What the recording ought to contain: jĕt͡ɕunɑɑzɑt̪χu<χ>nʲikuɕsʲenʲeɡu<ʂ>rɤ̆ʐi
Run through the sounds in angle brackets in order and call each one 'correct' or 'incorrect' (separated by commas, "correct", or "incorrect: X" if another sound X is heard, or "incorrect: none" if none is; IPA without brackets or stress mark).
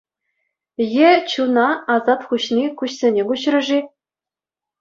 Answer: incorrect: ɕ, incorrect: ɕ